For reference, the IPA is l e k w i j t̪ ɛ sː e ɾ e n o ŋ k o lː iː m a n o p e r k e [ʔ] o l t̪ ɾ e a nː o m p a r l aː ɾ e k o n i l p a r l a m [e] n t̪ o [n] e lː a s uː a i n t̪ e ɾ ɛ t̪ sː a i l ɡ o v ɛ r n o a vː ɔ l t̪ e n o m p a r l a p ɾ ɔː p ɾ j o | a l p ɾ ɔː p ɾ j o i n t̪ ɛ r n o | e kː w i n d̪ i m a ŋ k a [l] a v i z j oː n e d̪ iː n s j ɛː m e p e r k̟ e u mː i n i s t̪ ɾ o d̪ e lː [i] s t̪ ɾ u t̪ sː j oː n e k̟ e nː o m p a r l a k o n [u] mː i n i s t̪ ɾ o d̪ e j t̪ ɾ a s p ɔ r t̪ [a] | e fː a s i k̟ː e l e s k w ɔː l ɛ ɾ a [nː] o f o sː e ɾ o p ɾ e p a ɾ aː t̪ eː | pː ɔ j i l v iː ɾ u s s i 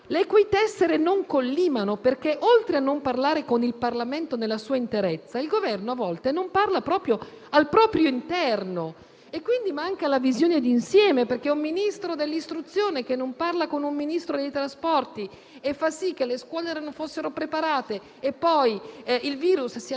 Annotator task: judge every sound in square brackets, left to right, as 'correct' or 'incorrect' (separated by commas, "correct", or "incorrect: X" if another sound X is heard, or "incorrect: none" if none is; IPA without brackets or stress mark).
correct, correct, correct, correct, correct, correct, incorrect: i, incorrect: n